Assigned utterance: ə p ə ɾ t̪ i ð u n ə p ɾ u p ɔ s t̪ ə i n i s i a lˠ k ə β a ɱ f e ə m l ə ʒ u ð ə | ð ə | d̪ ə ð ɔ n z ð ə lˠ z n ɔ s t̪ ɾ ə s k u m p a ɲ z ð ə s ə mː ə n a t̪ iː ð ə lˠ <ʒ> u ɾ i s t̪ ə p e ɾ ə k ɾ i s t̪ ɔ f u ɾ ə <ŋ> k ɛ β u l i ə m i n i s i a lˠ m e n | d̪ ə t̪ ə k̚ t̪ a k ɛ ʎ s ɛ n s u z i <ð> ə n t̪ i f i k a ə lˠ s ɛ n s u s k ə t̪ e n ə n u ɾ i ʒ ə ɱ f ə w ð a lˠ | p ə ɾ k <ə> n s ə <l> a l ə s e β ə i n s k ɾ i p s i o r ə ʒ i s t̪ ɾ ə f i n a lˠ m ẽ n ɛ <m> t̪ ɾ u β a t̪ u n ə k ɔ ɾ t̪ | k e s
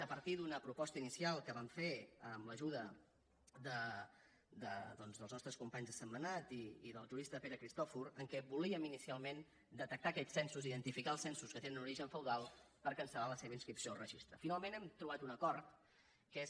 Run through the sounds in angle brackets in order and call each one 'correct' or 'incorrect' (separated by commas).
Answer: correct, correct, correct, correct, correct, correct